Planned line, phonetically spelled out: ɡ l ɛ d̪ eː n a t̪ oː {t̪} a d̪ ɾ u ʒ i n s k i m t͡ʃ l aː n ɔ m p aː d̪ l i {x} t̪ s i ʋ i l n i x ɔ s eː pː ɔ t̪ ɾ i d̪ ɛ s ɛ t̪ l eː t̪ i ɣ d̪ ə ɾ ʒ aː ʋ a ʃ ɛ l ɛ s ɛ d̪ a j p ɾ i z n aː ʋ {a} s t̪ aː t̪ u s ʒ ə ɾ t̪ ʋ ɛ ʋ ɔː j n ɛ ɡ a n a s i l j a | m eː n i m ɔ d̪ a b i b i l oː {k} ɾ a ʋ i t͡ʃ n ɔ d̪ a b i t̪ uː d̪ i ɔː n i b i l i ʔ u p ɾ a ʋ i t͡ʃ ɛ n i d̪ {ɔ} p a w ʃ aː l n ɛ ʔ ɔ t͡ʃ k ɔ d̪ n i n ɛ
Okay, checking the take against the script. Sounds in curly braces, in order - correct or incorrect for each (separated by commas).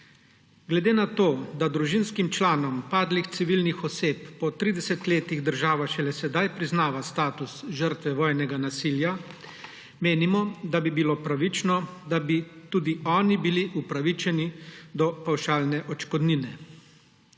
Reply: incorrect, correct, correct, incorrect, correct